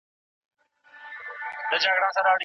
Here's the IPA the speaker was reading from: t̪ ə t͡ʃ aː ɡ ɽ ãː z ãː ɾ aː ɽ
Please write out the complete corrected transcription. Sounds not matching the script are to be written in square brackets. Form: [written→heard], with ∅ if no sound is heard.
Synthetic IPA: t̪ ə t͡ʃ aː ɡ ɽ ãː [z→s] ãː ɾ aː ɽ